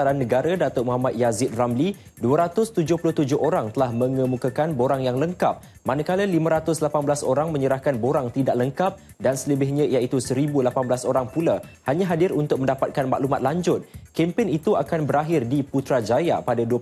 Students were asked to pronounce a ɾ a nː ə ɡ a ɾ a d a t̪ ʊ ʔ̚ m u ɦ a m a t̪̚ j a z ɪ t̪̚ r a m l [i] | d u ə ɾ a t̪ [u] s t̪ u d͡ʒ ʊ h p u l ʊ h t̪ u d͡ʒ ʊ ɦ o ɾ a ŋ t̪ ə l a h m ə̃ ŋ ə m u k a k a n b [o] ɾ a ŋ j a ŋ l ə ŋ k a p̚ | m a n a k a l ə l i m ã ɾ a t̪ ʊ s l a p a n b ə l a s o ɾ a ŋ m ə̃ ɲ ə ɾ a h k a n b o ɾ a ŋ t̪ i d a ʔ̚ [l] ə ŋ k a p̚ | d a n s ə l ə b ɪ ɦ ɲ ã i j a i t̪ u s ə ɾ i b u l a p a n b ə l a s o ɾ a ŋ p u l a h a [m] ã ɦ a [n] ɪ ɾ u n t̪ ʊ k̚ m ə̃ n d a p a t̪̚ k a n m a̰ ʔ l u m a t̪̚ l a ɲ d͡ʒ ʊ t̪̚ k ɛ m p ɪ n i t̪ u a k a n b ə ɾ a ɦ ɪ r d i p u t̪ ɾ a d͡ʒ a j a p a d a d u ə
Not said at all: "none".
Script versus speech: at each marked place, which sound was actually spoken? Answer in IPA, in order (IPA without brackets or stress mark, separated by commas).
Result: i, ʊ, o, l, ɲ, d